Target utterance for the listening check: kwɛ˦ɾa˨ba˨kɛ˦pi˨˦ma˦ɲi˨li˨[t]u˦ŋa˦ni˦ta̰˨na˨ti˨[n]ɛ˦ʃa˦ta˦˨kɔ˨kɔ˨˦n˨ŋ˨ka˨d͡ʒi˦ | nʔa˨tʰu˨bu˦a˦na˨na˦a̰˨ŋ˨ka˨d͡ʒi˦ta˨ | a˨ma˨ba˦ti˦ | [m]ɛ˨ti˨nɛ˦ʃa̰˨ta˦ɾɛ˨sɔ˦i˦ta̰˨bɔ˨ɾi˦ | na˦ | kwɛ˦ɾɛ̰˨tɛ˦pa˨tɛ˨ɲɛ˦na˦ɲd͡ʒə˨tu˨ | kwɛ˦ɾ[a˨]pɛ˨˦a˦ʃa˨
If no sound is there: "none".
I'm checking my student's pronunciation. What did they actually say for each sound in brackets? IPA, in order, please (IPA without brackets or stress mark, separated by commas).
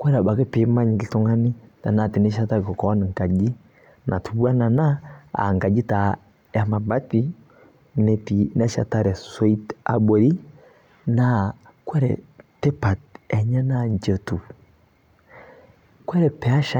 t, n, n, ɛ˨